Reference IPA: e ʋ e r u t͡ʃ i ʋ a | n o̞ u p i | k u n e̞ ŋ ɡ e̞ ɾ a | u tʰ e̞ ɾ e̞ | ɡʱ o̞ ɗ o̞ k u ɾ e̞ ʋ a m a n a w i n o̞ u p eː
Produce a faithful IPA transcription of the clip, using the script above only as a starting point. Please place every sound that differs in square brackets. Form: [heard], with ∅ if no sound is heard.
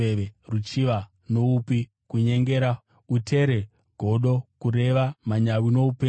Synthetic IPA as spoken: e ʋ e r u t͡ʃ i ʋ a | n o̞ u p i | k u [ɲ] e̞ ŋ ɡ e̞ ɾ a | u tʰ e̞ ɾ e̞ | ɡʱ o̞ ɗ o̞ k u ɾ e̞ ʋ a m a [ɲ] a w i n o̞ u p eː

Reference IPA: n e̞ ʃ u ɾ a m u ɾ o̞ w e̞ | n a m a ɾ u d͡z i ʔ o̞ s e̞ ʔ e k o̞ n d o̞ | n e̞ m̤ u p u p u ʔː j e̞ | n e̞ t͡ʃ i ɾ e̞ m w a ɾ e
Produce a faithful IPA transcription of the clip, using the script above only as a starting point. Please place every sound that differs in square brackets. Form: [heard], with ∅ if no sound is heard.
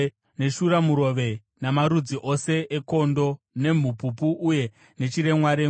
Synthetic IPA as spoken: n e̞ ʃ u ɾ a m u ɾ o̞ [ʋ] e̞ | n a m a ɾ u d͡z i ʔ o̞ s e̞ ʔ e k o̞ n d o̞ | n e̞ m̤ u p u p u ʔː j e̞ | n e̞ t͡ʃ i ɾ e̞ m w a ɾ e

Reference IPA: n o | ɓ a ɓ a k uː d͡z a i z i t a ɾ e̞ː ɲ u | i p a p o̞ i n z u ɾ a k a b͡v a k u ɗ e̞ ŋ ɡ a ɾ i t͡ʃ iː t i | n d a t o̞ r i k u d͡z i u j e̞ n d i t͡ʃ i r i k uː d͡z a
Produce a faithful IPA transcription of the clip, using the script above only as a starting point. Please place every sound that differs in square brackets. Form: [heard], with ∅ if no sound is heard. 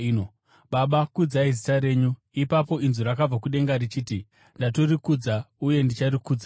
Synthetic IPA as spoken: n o | ɓ a ɓ a k [u] d͡z a i z i t a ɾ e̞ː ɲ u | i p a p o̞ i n z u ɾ a k a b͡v a k u ɗ e̞ ŋ ɡ a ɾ i t͡ʃ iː t i | n d a t o̞ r i k u d͡z [a] u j e̞ n d i t͡ʃ [a] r i k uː d͡z a

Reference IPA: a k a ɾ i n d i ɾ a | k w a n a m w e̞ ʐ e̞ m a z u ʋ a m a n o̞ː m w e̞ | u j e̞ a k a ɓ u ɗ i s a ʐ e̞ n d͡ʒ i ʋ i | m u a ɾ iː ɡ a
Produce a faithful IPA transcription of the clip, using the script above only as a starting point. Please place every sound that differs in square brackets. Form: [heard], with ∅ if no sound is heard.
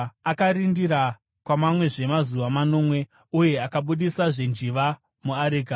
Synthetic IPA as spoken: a k a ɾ i n d i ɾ a | k w a [m] a m w e̞ ʐ e̞ m a z u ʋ a m a n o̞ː m w e̞ | u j e̞ a k a ɓ u ɗ i s a ʐ e̞ n d͡ʒ i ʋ [a] | m u a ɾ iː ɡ a

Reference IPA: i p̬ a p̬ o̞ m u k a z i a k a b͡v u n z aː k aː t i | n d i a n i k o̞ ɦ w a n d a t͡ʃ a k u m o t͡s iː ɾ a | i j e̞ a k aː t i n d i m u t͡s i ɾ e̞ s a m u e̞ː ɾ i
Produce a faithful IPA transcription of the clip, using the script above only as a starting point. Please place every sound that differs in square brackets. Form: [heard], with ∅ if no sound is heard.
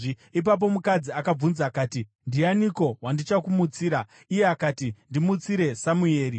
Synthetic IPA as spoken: i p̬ a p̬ o̞ m u k a [d͡z] i a k a b͡v u n z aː k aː t i | n d i a n i k o̞ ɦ w a n d [i] t͡ʃ a k u m [u] t͡s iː ɾ a | i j e̞ a k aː t i n d i m u t͡s i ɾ e̞ s a m u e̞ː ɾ i

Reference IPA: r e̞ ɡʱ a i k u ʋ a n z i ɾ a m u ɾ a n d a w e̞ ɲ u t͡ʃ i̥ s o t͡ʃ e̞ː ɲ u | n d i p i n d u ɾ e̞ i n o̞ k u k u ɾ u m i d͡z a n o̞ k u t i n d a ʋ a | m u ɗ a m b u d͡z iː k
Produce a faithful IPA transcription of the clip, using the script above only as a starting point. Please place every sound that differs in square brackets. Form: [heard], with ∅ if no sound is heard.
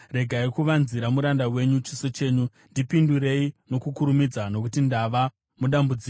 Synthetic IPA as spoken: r e̞ ɡʱ a i k u ʋ a n z i ɾ a m u ɾ a n d a w e̞ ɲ u t͡ʃ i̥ s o t͡ʃ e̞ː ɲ u | n d i p i n d u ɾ e̞ i n o̞ k u k u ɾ u m i d͡z a n o̞ k u t i n d a ʋ a | m u ɗ a m b u d͡z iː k

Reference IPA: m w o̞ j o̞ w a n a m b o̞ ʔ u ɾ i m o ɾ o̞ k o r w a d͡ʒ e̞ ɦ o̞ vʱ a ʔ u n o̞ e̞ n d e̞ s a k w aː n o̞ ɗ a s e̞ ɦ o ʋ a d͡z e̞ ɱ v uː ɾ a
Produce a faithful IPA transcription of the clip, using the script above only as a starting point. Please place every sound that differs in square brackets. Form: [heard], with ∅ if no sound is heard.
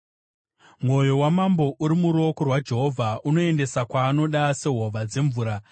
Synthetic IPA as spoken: m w o̞ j o̞ w a [m] a m b o̞ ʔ u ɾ i m [u] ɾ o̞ k o r w a d͡ʒ e̞ ɦ o̞ vʱ a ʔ u n o̞ e̞ n d e̞ s a k w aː n o̞ ɗ a s e̞ ɦ o ʋ a d͡z e̞ ɱ v uː ɾ a

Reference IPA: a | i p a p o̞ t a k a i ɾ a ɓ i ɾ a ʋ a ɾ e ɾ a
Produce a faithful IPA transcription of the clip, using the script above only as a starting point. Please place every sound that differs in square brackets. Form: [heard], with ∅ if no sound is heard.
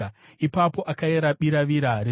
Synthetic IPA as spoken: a | i p a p o̞ [ʔ] a k a [e] ɾ a ɓ i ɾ a ʋ [i] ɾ [a] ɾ [e]

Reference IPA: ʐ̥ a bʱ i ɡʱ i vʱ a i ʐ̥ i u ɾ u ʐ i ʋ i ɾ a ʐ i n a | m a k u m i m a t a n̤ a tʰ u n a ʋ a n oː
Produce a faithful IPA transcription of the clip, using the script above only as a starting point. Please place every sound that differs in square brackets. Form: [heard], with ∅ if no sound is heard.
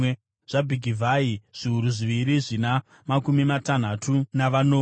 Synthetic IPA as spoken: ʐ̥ a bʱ i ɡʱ i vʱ a i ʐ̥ i u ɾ u ʐ i ʋ i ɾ [i] ʐ i n a | m a k u m i m a t a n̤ a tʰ u n a ʋ a n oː

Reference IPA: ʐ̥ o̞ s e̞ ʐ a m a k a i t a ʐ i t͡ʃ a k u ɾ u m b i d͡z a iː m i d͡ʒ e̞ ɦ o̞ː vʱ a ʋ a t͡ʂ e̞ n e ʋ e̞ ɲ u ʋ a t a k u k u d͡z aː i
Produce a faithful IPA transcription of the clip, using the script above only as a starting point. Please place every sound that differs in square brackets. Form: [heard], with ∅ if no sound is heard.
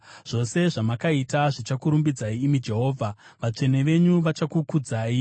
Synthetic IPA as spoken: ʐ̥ o̞ s e̞ ʐ a m a k a i t a ʐ i t͡ʃ a k u ɾ u m b i d͡z a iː m i d͡ʒ e̞ ɦ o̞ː vʱ a ʋ a t͡ʂ e̞ n e ʋ e̞ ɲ u ʋ a [t͡ʃ] a k u k u d͡z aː i

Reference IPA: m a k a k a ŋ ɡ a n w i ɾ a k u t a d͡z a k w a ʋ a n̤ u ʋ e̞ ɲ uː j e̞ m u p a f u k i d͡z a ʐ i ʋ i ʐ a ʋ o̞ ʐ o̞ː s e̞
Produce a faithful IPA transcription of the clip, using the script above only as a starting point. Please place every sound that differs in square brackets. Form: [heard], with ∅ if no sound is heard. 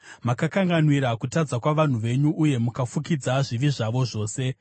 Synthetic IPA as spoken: m a k a k a ŋ ɡ a n w i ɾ a k u t a d͡z a k w a ʋ a n̤ u ʋ e̞ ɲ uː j e̞ m u [k] a f u k i d͡z a ʐ i ʋ i ʐ a ʋ o̞ ʐ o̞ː s e̞

